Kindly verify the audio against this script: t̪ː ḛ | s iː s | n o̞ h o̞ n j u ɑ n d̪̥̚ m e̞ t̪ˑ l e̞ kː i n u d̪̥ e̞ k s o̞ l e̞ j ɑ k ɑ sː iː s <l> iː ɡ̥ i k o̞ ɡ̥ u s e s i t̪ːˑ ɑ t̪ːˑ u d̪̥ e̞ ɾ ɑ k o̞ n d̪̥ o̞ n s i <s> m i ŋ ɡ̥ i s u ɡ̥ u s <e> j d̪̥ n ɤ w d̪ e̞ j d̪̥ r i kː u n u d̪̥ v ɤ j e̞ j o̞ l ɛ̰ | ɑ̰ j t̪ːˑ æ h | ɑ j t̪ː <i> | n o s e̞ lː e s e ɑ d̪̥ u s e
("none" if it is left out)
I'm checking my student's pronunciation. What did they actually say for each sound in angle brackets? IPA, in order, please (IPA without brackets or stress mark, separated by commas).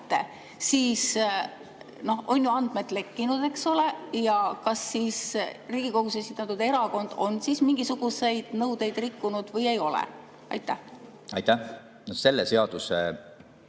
r, s, e, æ